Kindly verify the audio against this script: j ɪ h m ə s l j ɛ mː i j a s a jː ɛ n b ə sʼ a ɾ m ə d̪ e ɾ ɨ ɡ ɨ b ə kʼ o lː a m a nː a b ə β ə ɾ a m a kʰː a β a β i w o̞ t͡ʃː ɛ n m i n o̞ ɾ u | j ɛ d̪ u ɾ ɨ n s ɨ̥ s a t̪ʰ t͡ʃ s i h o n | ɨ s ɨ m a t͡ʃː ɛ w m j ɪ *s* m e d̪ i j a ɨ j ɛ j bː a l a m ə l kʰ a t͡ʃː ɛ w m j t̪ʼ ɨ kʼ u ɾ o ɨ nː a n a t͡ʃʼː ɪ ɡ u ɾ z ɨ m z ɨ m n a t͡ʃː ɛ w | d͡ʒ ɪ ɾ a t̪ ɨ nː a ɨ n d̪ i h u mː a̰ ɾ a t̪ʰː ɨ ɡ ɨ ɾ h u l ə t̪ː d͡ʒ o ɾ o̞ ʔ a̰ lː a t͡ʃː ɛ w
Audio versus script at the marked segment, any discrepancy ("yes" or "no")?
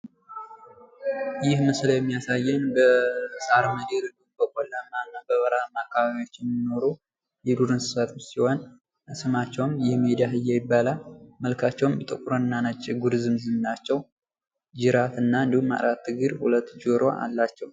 yes